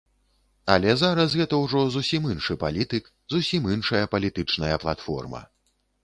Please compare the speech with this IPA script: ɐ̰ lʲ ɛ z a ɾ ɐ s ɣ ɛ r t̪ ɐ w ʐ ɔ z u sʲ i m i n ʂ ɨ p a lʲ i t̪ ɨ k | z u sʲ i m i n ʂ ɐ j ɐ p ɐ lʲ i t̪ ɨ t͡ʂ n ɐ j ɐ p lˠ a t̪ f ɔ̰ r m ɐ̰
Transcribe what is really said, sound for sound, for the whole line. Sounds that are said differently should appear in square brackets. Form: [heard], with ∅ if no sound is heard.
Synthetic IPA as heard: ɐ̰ lʲ ɛ z a ɾ ɐ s ɣ ɛ [∅] t̪ ɐ w ʐ ɔ z u sʲ i m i n ʂ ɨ p a lʲ i t̪ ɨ k | z u sʲ i m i n ʂ ɐ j ɐ p ɐ lʲ i t̪ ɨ t͡ʂ n ɐ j ɐ p lˠ a t̪ f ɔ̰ r m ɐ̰